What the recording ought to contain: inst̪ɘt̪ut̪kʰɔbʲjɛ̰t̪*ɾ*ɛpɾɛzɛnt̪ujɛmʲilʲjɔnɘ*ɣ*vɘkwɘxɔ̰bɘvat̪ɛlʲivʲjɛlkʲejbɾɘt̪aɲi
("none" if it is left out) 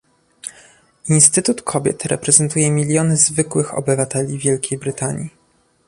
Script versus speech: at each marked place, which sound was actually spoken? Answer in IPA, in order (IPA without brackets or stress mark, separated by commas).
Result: ɾ, z